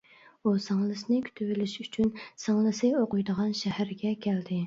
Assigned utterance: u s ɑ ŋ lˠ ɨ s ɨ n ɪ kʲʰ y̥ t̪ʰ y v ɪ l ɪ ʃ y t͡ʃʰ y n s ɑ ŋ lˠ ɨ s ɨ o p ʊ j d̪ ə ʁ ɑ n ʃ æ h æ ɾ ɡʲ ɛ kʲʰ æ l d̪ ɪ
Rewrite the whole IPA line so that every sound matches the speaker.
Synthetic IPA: u s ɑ ŋ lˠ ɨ s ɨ n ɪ kʲʰ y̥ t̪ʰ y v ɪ l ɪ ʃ y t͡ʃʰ y n s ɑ ŋ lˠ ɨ s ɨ o q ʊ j d̪ ə ʁ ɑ n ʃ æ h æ ɾ ɡʲ ɛ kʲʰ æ l d̪ ɪ